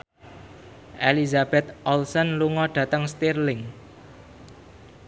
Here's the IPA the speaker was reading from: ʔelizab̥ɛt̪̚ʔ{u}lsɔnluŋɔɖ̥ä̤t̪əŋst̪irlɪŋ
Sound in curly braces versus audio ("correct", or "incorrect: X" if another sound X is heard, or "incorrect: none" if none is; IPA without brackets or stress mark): incorrect: ɔ